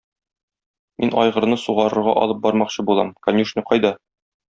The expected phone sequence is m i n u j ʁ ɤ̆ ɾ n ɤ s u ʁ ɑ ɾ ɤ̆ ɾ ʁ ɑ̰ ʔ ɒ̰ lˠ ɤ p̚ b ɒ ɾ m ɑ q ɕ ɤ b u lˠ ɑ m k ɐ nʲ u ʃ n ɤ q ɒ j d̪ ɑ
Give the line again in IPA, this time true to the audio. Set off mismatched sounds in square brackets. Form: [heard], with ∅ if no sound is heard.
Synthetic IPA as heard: m i n [ɒ] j ʁ ɤ̆ ɾ n ɤ s u ʁ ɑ ɾ ɤ̆ ɾ ʁ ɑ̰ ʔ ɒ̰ lˠ ɤ p̚ b ɒ ɾ m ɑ q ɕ ɤ b u lˠ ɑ m k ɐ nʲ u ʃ n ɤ q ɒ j d̪ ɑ